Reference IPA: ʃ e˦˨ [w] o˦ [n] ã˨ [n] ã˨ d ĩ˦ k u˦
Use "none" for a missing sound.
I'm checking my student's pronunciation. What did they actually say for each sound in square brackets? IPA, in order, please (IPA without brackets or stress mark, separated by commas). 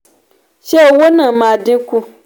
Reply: w, n, m